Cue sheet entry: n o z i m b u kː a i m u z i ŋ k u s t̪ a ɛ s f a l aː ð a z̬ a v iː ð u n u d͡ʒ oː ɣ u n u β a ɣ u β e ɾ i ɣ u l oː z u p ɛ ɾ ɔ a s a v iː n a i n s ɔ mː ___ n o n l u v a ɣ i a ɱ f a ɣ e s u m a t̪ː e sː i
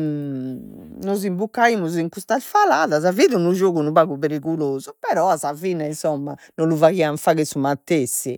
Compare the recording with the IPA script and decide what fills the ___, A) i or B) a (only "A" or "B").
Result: B